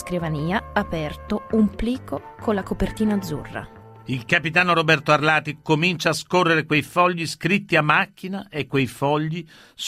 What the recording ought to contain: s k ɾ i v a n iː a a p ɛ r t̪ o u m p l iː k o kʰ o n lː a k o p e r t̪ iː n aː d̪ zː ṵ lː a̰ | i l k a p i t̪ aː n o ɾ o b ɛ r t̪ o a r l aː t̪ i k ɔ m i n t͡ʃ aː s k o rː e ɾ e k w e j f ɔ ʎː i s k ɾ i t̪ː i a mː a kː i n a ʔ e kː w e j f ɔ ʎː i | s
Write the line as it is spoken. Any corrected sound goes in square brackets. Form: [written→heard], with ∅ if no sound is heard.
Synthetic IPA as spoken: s k ɾ i v a n iː a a p ɛ r t̪ o u m p l iː k o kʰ o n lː a k o p e r t̪ iː n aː d̪ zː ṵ [lː→rː] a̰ | i l k a p i t̪ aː n o ɾ o b ɛ r t̪ o a r l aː t̪ i k [ɔ→o] m i n t͡ʃ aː s k o rː e ɾ e k w e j f ɔ ʎː i s k ɾ i t̪ː i a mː a kː i n a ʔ e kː w e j f ɔ ʎː i | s